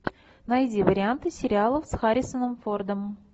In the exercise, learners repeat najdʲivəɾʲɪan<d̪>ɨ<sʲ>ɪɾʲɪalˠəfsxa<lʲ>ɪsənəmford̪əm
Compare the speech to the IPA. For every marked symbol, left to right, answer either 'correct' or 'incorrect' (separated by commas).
incorrect, correct, incorrect